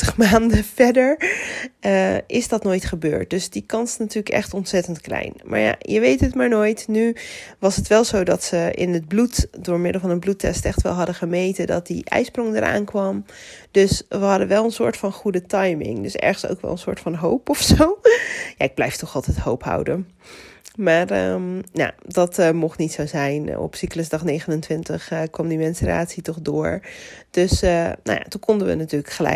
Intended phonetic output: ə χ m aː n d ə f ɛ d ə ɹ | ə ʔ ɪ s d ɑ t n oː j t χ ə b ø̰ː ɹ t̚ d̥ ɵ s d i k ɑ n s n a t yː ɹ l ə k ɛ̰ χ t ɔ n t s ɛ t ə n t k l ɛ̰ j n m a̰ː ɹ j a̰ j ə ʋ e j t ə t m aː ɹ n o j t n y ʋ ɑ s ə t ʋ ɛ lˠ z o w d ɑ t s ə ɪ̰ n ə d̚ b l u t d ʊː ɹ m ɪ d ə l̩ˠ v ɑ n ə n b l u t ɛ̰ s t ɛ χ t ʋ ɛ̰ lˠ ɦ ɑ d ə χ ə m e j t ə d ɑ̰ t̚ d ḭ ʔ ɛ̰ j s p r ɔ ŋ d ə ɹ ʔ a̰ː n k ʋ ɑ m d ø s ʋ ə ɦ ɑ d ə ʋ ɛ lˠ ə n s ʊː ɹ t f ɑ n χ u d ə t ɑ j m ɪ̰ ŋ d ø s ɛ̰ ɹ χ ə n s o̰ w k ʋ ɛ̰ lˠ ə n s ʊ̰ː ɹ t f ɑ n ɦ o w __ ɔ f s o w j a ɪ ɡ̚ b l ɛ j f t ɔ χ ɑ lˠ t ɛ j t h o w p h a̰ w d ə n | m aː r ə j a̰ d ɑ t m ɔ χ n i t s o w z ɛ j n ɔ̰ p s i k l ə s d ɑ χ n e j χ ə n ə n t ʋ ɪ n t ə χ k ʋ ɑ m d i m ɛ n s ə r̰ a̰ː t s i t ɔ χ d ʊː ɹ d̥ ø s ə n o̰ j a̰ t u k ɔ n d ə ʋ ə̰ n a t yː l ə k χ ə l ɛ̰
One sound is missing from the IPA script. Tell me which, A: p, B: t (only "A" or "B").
A